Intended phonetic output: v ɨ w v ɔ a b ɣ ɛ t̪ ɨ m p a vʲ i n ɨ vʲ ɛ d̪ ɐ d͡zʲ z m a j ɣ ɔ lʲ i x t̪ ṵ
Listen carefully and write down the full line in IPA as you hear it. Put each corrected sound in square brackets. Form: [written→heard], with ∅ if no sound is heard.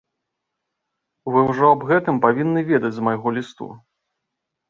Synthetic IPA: v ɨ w [v→ʐ] ɔ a b ɣ ɛ t̪ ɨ m p a vʲ i [n→nː] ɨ vʲ ɛ d̪ ɐ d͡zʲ z m a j ɣ ɔ lʲ i [x→s] t̪ ṵ